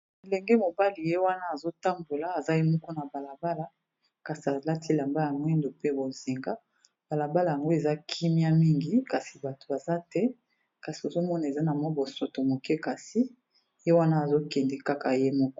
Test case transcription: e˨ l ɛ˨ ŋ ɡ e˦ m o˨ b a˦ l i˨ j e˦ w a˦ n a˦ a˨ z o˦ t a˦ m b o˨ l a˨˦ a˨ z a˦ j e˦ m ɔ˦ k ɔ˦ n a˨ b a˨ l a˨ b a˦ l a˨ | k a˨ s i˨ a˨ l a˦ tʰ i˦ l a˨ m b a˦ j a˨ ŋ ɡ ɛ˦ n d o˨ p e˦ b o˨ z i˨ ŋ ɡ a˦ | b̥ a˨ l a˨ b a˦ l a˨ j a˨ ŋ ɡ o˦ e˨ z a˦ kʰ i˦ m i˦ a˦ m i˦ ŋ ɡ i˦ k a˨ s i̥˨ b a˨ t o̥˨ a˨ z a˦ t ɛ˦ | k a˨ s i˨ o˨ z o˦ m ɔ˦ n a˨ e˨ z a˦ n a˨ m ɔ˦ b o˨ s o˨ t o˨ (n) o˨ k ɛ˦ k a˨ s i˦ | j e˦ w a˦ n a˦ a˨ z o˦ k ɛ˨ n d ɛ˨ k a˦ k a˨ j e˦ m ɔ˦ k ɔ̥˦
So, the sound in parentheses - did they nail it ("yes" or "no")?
no